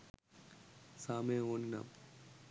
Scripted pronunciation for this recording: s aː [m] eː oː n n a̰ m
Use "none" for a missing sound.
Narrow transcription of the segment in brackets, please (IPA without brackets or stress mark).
m